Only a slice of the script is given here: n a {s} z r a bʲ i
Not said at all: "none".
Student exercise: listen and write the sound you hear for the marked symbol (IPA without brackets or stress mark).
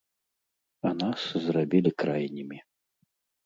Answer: s